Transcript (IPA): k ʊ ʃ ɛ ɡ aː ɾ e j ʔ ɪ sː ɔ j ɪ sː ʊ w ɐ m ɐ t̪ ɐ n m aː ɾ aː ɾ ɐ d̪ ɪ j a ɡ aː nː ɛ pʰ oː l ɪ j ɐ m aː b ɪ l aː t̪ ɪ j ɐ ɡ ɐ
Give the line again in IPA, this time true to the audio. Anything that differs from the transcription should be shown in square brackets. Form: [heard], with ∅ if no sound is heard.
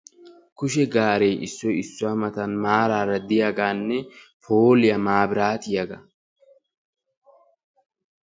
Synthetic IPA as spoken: k ʊ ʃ ɛ ɡ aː ɾ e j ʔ ɪ sː ɔ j ɪ sː ʊ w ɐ m ɐ t̪ ɐ n m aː ɾ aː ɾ ɐ d̪ ɪ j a ɡ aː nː ɛ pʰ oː l ɪ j ɐ m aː b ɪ [ɾ] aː t̪ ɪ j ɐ ɡ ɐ